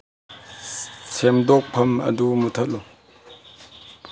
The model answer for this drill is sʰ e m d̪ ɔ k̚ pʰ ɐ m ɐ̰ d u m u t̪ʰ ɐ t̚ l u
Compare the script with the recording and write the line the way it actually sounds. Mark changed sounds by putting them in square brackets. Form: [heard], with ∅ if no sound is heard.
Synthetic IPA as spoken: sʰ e m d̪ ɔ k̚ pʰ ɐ m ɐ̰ d u m u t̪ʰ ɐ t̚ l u